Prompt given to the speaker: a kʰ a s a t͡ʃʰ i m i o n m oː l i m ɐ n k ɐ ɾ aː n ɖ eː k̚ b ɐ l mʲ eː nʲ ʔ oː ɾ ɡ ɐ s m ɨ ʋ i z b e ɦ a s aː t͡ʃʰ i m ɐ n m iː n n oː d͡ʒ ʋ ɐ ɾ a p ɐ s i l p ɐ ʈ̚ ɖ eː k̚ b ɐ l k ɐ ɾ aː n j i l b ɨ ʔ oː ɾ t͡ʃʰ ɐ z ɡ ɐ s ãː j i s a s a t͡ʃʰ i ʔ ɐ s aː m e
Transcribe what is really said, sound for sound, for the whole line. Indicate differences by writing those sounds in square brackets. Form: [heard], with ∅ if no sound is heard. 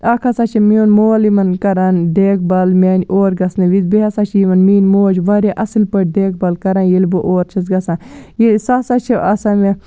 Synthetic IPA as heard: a kʰ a s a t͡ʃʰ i m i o n m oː l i m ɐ n k ɐ ɾ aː n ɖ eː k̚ b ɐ l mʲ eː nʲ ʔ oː ɾ ɡ ɐ s [n] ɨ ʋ i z b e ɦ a s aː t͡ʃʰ i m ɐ n m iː n [m] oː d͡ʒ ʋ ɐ ɾ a [ʔ] ɐ s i l p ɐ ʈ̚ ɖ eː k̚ b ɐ l k ɐ ɾ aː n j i l b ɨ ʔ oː ɾ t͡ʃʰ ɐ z ɡ ɐ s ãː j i s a s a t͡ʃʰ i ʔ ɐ s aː m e